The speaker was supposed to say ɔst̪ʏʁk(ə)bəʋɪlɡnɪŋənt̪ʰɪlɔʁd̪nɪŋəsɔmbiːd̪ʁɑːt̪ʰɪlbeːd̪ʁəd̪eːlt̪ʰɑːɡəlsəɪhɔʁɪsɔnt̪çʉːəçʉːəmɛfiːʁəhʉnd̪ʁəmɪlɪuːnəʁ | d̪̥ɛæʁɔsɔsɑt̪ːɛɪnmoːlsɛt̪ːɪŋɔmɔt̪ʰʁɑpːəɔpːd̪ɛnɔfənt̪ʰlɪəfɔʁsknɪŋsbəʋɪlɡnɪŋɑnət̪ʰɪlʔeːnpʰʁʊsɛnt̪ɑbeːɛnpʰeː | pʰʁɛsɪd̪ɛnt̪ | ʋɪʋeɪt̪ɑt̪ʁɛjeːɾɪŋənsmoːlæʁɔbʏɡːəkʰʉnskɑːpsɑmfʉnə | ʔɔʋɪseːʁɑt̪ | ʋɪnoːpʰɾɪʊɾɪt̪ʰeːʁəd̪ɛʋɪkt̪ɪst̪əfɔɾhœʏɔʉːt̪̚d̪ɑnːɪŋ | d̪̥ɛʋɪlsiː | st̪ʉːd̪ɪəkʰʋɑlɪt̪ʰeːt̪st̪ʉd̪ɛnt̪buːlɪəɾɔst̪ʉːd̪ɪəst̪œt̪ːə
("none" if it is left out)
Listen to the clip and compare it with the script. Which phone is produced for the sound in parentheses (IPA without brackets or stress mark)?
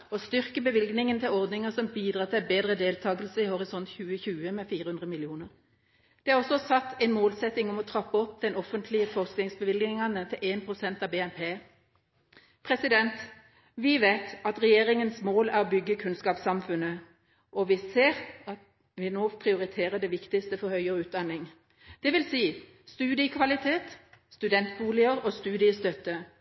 ə